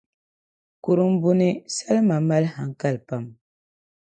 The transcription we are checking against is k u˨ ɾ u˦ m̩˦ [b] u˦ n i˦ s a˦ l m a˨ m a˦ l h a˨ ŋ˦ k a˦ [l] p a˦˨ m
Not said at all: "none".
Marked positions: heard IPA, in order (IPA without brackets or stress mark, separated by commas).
b, l